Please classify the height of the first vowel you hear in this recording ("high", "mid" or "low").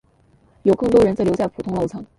mid